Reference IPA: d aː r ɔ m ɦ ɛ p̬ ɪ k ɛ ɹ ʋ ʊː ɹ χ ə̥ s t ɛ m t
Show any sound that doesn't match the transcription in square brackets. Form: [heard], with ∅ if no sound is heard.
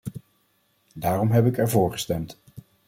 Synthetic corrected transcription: d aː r ɔ m ɦ ɛ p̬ ɪ k ɛ ɹ [v] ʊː ɹ χ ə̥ s t ɛ m t